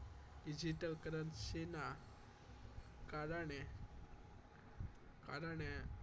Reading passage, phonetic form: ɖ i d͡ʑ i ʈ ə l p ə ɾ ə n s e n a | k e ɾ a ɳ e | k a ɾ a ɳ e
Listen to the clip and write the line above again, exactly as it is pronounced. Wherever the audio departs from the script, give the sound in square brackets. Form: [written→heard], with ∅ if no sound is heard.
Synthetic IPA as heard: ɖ i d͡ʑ i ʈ ə l [p→k] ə ɾ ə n s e n a | k [e→a] ɾ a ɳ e | k a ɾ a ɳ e

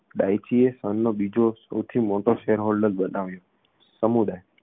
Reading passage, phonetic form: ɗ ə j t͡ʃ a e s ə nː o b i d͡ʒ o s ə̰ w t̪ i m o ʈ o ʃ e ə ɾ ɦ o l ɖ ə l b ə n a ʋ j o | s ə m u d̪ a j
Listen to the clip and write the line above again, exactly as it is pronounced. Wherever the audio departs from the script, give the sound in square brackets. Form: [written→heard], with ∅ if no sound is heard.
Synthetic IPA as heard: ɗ [ə→a] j t͡ʃ [a→i] e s ə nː o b i d͡ʒ o s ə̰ w [t̪→t̪ʰ] i m o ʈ o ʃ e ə ɾ ɦ o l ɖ ə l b ə n a ʋ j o | s ə m u d̪ a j

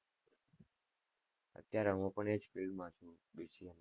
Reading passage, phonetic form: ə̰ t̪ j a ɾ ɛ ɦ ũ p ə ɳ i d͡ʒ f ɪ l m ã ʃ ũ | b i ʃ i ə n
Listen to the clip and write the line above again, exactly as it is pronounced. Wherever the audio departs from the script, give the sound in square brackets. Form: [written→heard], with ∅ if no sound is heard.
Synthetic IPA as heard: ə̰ t̪ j a ɾ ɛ ɦ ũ p ə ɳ [i→e] d͡ʒ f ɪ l m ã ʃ ũ | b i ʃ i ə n

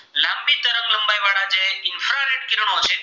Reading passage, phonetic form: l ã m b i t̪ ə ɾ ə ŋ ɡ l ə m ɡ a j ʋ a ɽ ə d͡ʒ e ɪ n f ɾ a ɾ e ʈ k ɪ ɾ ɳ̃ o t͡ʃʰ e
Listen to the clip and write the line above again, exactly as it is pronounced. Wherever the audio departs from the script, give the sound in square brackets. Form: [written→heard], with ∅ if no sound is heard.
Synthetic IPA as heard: l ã m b i t̪ ə ɾ ə ŋ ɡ l ə m [ɡ→b] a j ʋ a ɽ [ə→a] d͡ʒ e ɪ n f ɾ a ɾ e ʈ k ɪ ɾ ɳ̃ o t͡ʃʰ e

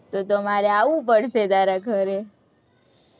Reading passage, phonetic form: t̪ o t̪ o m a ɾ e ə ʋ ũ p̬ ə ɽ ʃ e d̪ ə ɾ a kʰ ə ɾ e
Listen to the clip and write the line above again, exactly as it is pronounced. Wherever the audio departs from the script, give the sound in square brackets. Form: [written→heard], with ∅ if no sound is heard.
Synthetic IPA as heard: t̪ o t̪ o m a ɾ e [ə→a] ʋ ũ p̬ ə ɽ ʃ e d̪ [ə→a] ɾ a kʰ ə ɾ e

